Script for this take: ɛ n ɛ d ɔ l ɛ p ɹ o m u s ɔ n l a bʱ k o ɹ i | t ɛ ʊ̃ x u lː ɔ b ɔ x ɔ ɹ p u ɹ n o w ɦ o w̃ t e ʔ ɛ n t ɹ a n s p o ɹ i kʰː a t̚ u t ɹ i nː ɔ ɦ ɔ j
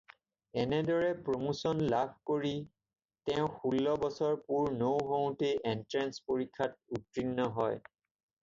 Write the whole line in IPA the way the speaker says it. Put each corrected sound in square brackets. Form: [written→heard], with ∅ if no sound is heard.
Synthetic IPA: ɛ n ɛ d ɔ [l→ɹ] ɛ p ɹ o m u s ɔ n l a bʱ k o ɹ i | t ɛ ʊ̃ x u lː ɔ b ɔ [x→s] ɔ ɹ p u ɹ n o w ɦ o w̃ t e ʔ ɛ n t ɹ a n s p o ɹ i kʰː a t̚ u t ɹ i nː ɔ ɦ ɔ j